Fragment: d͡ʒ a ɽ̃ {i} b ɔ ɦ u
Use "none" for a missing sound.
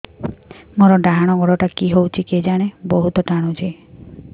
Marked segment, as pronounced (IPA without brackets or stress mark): e